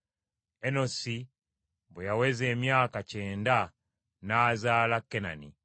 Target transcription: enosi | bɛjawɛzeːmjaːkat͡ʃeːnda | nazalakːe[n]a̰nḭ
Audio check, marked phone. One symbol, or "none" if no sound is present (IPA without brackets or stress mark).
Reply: n